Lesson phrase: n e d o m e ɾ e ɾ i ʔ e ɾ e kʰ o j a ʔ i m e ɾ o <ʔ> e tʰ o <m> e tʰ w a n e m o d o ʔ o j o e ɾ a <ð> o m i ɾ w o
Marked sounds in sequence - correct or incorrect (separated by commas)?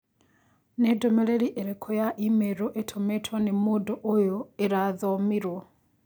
correct, correct, correct